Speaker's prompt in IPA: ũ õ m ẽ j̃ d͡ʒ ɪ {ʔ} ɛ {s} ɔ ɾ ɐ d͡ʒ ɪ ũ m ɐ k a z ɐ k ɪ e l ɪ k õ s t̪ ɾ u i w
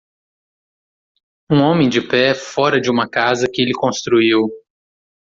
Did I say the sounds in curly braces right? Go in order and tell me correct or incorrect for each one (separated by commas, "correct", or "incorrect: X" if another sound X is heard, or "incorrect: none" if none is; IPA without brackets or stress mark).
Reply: incorrect: p, incorrect: f